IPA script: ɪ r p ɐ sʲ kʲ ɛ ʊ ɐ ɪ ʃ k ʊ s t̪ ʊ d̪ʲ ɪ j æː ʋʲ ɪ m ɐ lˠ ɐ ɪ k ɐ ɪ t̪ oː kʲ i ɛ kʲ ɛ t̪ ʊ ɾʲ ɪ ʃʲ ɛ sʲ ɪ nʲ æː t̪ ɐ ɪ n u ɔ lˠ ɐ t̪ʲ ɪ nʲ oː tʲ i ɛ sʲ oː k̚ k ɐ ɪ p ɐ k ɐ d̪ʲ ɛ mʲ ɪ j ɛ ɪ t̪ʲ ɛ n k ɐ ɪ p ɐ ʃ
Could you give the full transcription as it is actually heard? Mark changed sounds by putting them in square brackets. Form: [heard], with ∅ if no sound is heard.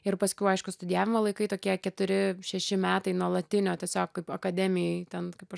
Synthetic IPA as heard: ɪ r p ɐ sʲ kʲ ɛ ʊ ɐ ɪ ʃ k ʊ s t̪ ʊ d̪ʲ ɪ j æː ʋʲ ɪ m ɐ lˠ ɐ ɪ k ɐ ɪ t̪ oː kʲ i ɛ kʲ ɛ t̪ ʊ ɾʲ ɪ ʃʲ ɛ [ʃʲ] ɪ [mʲ] æː t̪ ɐ ɪ n u ɔ lˠ ɐ t̪ʲ ɪ nʲ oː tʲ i ɛ sʲ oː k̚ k ɐ ɪ p ɐ k ɐ d̪ʲ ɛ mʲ ɪ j ɛ ɪ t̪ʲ ɛ n k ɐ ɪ p ɐ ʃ